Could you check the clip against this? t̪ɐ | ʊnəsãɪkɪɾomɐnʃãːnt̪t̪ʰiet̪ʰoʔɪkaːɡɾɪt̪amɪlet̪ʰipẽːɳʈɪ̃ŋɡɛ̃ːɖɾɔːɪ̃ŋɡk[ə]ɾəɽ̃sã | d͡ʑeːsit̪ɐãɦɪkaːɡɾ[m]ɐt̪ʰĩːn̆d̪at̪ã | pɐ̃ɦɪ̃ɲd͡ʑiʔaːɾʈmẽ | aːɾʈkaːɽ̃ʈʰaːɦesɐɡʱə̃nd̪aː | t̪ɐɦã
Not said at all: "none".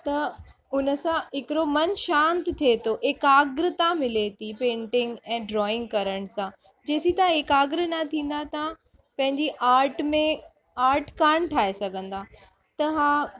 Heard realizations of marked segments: ɐ, n

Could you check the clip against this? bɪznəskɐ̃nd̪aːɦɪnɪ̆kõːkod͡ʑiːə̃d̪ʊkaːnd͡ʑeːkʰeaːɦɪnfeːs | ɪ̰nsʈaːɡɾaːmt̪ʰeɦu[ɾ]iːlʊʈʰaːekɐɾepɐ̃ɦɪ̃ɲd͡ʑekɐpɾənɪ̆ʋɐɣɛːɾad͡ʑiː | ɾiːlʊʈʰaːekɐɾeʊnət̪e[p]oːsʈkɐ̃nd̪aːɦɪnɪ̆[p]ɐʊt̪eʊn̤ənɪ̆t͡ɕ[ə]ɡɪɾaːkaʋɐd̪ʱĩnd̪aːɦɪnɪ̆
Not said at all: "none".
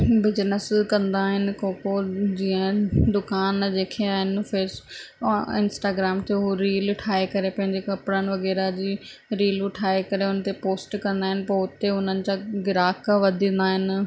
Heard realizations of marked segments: ɾ, p, p, a

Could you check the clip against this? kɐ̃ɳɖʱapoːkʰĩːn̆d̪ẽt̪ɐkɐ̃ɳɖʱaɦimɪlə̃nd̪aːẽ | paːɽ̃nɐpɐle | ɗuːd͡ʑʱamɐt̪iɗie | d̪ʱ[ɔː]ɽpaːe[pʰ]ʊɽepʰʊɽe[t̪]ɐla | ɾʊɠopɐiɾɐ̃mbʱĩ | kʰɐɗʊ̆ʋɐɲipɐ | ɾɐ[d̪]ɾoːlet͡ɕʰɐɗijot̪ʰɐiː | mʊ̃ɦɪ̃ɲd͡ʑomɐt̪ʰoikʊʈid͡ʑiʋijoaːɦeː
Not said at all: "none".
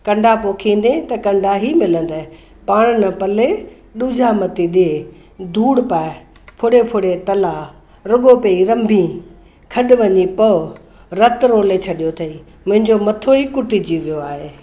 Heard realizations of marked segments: uː, pʰ, t̪, t̪

